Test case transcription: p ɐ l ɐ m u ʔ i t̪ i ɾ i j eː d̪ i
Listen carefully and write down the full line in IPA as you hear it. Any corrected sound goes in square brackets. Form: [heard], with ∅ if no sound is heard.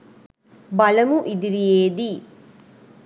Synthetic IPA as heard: [b] ɐ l ɐ m u ʔ i [d̪] i ɾ i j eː d̪ i